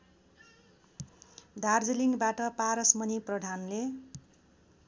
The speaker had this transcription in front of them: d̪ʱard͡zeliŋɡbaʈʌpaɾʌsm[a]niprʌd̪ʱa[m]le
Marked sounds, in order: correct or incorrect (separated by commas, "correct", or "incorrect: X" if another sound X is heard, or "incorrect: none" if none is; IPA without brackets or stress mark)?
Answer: incorrect: ʌ, incorrect: n